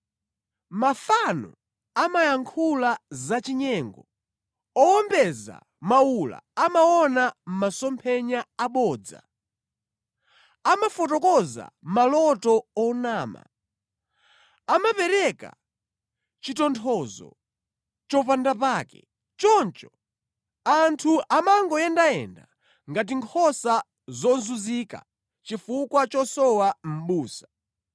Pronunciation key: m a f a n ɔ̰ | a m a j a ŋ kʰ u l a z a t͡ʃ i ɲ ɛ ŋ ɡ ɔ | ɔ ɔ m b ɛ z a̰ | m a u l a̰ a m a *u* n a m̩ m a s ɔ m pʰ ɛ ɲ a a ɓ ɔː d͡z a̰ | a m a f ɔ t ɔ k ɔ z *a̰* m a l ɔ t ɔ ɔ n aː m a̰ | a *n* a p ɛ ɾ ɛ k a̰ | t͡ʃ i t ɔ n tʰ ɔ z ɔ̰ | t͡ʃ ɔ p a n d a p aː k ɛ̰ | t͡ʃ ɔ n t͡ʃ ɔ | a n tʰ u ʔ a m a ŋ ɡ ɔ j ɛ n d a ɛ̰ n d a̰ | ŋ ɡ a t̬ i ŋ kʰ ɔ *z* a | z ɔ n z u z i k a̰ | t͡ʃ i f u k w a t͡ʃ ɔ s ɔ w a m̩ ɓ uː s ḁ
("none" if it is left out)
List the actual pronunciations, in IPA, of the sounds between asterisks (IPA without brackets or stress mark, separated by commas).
ɔ, a̰, m, s